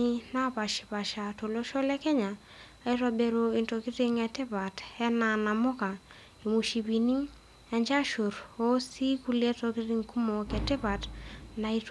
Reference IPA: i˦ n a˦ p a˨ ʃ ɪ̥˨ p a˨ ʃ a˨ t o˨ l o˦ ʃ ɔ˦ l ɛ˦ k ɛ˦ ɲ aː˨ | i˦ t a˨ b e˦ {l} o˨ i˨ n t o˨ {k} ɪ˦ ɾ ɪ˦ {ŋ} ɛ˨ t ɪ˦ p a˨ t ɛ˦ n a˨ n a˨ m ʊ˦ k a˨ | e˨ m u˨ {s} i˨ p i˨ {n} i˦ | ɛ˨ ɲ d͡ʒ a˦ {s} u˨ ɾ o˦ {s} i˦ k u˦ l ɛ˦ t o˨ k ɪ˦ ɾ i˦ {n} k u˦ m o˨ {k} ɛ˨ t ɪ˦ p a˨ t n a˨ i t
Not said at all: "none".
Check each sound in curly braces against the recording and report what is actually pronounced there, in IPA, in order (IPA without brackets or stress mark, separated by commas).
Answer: ɾ, k, ŋ, ʃ, n, ʃ, s, ŋ, k